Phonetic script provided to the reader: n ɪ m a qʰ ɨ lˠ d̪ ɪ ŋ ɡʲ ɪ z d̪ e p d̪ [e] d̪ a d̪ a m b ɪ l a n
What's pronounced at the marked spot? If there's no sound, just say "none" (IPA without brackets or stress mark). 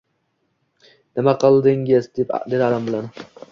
e